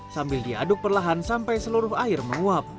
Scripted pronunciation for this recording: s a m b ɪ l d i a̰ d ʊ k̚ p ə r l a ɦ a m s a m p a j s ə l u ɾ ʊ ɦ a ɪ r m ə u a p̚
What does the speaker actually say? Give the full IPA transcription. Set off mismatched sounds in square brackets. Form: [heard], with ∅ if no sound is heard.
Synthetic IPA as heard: s a m b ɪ l d i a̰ d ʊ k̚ p ə r l a ɦ a [n] s a m p a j s ə l u ɾ ʊ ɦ a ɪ r m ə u a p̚